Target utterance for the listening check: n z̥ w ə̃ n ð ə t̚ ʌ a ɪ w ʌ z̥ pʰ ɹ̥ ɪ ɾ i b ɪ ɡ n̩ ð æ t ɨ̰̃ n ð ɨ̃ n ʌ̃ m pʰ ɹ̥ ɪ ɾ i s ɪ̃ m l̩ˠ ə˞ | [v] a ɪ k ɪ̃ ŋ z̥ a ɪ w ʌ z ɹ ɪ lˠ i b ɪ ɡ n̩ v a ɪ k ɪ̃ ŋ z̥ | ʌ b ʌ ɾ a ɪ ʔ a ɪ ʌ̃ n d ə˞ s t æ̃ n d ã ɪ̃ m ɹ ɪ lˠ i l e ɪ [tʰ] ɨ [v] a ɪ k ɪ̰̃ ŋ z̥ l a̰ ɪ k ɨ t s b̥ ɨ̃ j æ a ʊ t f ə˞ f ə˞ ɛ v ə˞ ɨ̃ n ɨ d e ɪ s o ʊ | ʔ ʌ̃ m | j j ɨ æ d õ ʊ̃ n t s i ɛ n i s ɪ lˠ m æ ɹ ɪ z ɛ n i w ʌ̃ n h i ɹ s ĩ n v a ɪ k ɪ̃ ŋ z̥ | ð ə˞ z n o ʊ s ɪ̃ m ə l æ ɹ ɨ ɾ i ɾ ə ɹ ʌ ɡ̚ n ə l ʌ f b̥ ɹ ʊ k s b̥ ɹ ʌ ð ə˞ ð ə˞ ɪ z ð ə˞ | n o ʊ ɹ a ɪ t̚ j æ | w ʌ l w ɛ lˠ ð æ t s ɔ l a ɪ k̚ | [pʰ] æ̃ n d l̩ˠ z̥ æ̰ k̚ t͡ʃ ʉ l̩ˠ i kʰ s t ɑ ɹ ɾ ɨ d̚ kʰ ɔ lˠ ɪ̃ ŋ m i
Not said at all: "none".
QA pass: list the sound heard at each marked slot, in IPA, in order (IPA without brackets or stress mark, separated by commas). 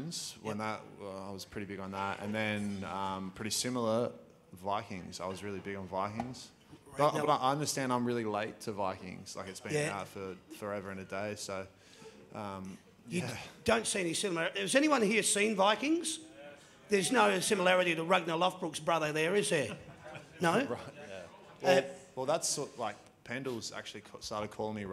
v, tʰ, v, pʰ